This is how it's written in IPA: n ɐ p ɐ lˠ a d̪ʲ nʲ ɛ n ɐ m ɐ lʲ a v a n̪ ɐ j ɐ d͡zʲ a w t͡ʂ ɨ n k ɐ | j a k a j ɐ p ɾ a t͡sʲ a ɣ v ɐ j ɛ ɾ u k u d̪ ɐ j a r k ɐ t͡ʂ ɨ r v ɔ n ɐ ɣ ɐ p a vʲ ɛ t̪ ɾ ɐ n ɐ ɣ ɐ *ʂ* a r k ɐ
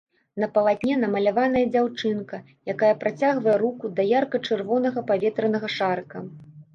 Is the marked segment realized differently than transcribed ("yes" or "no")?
no